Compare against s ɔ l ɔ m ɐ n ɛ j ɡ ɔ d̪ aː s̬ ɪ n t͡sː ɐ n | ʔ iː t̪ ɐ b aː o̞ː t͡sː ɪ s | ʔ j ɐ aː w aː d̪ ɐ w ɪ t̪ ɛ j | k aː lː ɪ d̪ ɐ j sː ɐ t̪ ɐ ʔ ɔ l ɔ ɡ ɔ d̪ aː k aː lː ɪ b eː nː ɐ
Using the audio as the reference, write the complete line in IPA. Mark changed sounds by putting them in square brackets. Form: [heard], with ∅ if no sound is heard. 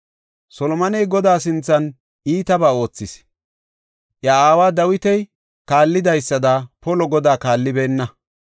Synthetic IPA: s ɔ l ɔ m ɐ n ɛ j ɡ ɔ d̪ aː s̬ ɪ n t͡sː ɐ n | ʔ iː t̪ ɐ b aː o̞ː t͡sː ɪ s | ʔ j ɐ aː w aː d̪ ɐ w ɪ t̪ ɛ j | k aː lː ɪ d̪ ɐ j sː ɐ [d̪] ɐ [p] ɔ l ɔ ɡ ɔ d̪ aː k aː lː ɪ b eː nː ɐ